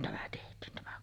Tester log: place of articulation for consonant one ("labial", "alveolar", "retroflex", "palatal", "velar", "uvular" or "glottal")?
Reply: alveolar